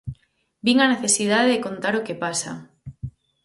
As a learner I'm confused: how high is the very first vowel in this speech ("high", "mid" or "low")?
high